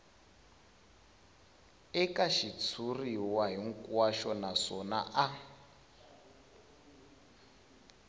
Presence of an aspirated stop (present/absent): present